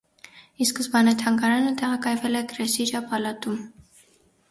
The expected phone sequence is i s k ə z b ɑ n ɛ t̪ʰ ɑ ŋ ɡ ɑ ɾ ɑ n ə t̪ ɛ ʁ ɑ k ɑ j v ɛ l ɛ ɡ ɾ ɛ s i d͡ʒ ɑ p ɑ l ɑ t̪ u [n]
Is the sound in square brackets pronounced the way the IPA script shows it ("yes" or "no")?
no